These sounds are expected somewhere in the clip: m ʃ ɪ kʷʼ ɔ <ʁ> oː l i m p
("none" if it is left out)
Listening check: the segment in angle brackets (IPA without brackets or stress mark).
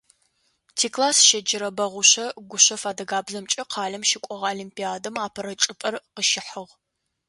ʁ